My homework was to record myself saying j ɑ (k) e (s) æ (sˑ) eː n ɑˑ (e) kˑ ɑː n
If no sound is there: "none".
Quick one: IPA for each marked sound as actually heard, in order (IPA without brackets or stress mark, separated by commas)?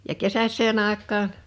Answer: k, s, sˑ, e